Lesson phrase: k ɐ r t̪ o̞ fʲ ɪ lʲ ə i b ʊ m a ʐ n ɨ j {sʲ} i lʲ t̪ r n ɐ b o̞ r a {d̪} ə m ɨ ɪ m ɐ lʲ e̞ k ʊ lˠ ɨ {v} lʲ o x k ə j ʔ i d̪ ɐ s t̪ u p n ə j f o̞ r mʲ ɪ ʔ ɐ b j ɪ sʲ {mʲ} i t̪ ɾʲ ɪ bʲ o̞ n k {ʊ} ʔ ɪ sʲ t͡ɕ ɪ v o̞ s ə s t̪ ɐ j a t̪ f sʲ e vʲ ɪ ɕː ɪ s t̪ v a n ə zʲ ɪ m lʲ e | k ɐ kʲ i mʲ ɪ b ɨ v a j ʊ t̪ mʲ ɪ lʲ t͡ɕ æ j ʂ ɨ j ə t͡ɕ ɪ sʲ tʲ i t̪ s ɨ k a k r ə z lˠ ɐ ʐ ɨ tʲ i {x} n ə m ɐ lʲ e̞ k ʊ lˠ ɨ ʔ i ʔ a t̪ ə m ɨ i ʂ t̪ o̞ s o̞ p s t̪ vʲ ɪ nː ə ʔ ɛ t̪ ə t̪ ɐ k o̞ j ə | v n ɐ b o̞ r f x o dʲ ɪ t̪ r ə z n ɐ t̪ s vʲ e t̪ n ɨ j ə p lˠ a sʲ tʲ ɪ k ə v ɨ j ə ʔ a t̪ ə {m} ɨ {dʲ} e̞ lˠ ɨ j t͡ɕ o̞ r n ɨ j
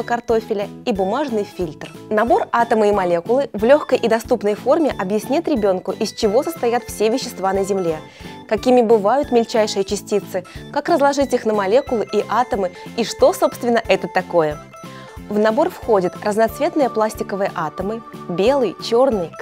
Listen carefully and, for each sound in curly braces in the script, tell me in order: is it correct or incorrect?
incorrect: fʲ, incorrect: t̪, correct, incorrect: nʲ, correct, correct, correct, incorrect: bʲ

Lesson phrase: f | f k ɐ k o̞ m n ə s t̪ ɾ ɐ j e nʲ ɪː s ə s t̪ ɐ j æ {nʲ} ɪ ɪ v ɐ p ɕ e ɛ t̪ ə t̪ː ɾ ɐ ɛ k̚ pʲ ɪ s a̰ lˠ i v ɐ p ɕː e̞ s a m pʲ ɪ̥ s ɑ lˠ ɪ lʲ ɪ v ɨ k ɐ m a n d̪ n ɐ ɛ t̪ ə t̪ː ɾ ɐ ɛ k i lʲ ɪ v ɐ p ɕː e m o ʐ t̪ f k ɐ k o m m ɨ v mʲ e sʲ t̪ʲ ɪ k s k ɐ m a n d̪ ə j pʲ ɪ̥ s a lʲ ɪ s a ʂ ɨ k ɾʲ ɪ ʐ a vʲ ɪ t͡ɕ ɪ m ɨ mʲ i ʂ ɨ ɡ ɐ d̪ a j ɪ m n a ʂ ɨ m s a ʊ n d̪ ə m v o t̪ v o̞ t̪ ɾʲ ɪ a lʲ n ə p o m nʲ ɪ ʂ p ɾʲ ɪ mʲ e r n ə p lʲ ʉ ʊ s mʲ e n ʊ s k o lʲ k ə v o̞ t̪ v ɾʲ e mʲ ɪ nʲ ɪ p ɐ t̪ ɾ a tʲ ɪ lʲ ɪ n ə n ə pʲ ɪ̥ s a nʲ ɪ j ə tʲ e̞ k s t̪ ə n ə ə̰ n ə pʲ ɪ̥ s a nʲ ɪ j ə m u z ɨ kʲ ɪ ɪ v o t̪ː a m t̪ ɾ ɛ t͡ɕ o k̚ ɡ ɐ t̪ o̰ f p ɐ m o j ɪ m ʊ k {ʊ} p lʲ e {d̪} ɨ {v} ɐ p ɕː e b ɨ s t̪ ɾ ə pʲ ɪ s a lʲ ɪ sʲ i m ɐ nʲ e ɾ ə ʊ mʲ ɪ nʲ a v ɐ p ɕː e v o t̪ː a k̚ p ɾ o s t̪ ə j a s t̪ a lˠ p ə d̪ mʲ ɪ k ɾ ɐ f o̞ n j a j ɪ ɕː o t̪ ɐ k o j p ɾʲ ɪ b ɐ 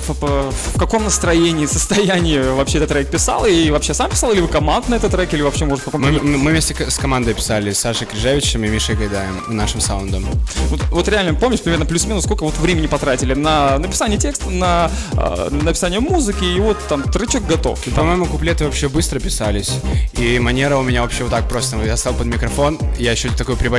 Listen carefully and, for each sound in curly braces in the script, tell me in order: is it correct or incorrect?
correct, correct, incorrect: t̪, correct

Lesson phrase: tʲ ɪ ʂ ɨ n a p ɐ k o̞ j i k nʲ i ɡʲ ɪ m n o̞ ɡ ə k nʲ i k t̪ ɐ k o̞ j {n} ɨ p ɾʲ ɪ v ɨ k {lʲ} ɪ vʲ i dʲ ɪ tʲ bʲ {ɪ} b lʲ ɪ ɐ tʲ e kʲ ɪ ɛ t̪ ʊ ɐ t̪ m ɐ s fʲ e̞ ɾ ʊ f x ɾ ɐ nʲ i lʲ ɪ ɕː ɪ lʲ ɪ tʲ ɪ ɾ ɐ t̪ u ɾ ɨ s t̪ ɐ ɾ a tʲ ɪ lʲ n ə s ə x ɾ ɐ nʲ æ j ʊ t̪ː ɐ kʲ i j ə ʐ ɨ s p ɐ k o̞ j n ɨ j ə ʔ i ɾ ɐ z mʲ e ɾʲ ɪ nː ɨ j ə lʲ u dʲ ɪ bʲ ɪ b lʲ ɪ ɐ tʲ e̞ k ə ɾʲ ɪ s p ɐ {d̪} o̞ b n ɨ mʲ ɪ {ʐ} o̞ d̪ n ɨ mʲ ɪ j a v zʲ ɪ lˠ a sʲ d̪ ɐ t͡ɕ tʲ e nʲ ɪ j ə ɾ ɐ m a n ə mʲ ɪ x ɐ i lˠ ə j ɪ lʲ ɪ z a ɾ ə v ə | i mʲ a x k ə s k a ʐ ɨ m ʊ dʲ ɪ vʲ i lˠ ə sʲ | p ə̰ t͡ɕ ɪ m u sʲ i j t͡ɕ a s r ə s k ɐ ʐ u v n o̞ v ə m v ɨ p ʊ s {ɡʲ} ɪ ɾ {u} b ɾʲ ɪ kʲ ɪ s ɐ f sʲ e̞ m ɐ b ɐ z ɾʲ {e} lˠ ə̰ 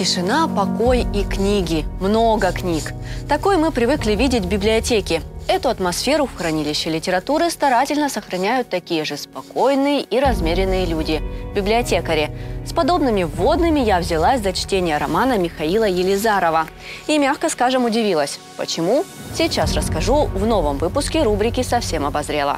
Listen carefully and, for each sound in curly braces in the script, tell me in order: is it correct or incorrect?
incorrect: m, correct, correct, correct, incorrect: v, incorrect: kʲ, correct, correct

